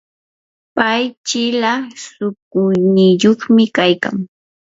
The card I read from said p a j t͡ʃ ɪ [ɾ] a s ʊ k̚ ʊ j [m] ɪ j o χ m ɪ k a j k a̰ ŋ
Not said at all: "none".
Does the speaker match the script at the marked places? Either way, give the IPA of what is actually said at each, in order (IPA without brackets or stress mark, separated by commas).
l, n